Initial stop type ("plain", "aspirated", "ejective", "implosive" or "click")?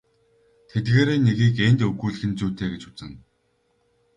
aspirated